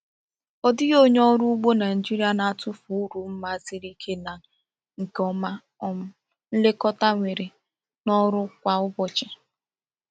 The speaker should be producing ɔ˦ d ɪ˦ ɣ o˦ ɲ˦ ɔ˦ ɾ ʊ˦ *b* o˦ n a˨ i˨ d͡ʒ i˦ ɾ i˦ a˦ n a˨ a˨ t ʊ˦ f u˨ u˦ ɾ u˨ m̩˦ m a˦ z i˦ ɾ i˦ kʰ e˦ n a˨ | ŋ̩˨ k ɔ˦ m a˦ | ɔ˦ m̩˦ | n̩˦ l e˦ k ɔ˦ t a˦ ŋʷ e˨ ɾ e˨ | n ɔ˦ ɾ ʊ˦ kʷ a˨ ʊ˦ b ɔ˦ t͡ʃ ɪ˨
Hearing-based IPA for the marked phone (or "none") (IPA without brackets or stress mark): ɡ͡b